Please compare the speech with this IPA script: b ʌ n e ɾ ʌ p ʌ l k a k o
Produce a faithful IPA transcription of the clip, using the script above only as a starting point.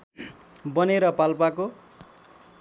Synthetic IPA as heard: b ʌ n e ɾ ʌ p a l p a k o